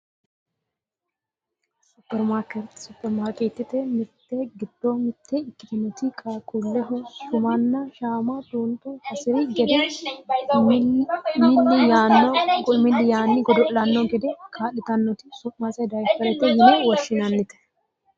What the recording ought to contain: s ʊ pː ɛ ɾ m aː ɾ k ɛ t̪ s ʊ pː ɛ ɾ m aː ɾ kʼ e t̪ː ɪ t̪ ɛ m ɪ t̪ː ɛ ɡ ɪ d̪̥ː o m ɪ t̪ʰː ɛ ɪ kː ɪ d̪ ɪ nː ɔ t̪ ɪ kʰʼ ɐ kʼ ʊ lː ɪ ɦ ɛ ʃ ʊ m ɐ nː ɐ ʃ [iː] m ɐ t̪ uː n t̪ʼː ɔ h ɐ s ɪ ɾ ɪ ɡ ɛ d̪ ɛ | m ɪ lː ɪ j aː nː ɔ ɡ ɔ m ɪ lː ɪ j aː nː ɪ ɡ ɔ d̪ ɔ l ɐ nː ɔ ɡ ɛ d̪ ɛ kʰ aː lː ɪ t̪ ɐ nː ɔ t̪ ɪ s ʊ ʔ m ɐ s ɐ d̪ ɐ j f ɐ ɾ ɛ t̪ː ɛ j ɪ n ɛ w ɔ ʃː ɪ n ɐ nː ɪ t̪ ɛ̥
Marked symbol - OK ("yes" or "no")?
no